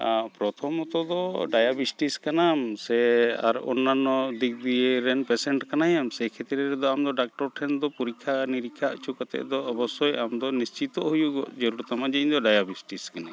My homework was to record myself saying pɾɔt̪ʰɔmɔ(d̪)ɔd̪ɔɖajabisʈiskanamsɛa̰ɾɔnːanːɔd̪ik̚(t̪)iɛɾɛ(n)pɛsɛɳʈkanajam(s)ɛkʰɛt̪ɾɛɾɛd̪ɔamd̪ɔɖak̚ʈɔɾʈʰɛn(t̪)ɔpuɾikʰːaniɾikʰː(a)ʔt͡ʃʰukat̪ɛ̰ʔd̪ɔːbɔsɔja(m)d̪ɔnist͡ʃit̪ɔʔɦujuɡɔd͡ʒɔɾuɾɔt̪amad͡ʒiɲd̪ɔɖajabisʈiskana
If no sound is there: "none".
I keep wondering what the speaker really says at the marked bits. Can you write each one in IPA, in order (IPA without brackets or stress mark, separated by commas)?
t̪, d̪, n, s, d̪, a, m